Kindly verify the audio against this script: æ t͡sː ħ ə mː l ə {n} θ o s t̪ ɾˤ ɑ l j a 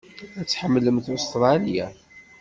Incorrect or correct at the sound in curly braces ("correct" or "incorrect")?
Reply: incorrect